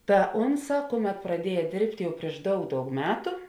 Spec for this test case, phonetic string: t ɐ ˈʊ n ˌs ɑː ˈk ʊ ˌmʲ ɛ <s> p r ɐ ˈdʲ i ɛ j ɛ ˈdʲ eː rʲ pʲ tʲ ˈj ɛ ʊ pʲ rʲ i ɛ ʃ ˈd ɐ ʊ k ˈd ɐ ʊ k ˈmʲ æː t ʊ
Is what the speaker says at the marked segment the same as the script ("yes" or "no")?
no